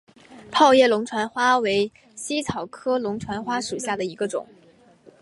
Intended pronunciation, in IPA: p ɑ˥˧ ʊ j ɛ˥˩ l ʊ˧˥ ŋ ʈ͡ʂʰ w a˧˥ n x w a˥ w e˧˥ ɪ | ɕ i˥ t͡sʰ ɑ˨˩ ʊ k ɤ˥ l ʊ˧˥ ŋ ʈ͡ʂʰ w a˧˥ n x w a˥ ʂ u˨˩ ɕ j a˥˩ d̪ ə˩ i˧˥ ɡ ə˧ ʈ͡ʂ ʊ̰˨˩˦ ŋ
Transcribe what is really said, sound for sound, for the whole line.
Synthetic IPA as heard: pʰ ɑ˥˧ ʊ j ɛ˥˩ l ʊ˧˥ ŋ ʈ͡ʂʰ w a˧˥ n x w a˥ w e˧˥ ɪ | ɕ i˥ t͡sʰ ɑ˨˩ ʊ kʰ ɤ˥ l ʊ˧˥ ŋ ʈ͡ʂʰ w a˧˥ n x w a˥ ʂ u˨˩ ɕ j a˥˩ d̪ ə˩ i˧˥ ɡ ə˧ ʈ͡ʂ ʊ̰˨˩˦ ŋ